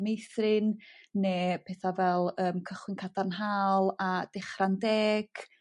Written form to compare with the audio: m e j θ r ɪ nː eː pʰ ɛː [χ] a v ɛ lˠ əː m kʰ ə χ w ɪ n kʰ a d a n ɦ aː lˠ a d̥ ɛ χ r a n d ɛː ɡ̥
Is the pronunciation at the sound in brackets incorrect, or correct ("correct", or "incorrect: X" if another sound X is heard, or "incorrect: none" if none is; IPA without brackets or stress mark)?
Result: incorrect: θ